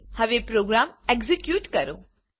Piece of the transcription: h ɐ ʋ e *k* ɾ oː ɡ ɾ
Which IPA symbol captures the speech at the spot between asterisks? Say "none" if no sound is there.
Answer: p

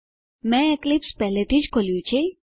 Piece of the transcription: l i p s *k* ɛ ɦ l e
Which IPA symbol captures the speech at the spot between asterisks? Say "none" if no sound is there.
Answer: p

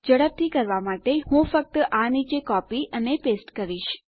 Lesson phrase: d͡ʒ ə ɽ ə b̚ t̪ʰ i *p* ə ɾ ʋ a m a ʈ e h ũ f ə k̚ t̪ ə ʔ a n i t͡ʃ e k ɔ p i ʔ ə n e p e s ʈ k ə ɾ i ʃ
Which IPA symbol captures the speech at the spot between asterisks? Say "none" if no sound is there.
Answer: k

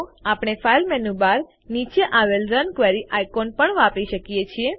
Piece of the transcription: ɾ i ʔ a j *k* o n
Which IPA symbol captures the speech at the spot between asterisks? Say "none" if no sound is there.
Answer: k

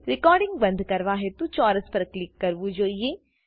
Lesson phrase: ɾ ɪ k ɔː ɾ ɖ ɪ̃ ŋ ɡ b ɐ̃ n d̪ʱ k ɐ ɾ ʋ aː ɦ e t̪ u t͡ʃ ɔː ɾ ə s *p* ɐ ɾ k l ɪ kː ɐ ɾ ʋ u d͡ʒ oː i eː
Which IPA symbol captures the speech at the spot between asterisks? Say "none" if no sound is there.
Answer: p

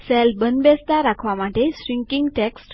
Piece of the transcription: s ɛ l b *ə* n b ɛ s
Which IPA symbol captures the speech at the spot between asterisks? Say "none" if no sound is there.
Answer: ə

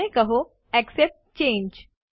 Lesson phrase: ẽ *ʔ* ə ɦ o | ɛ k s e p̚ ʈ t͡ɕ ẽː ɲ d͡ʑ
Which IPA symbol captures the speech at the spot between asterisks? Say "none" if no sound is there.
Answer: k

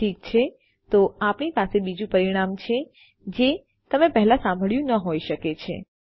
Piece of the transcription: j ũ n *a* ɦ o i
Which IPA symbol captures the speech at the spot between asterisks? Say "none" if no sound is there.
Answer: ə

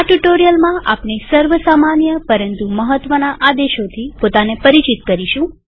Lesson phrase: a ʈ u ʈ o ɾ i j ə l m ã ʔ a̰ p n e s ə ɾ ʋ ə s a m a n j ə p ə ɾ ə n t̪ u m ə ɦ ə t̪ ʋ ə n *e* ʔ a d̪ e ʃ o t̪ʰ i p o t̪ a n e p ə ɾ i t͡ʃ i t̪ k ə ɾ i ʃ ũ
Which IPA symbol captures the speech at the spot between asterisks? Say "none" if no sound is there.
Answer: a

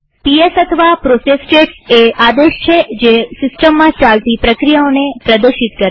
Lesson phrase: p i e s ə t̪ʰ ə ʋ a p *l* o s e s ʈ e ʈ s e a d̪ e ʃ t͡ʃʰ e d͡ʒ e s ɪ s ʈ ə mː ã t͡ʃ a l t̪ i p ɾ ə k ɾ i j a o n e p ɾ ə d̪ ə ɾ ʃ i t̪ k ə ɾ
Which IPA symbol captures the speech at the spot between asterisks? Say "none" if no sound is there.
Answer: ɾ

